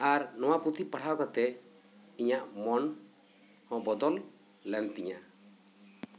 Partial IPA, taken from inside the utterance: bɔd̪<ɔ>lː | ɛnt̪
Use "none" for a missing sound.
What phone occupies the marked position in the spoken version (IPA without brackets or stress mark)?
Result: ɔ